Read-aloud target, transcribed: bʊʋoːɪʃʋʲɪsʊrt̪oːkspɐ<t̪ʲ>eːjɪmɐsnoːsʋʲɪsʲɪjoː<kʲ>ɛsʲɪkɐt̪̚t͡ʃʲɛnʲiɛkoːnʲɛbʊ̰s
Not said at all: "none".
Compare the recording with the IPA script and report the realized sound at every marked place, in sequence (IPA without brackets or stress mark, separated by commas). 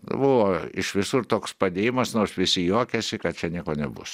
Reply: d̪ʲ, kʲ